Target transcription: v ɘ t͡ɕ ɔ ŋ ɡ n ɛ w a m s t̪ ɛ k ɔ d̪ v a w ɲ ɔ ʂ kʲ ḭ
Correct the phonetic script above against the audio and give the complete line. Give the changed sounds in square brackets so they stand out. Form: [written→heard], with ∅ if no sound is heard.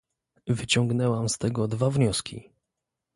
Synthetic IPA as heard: v ɘ t͡ɕ ɔ ŋ ɡ n ɛ w a m s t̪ ɛ [k→ɡ] ɔ d̪ v a [w→v] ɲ ɔ [ʂ→s] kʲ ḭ